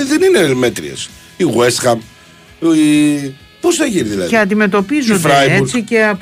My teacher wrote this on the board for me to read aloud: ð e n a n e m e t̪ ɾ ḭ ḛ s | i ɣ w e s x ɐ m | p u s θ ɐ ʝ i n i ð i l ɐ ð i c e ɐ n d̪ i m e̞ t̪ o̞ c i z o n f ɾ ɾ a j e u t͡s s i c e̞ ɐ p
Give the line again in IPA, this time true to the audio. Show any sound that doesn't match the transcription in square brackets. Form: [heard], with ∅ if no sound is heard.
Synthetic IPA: ð e n [i] n e m e t̪ ɾ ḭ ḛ s | i ɣ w e s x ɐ m | p [o] s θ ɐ ʝ i n i ð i l ɐ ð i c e ɐ n d̪ i m e̞ t̪ o̞ [p] i z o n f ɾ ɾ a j e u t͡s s i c e̞ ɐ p